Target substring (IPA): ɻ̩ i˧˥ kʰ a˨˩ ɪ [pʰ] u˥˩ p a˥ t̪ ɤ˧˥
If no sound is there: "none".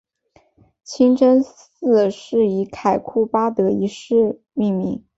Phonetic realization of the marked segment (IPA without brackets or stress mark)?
kʰ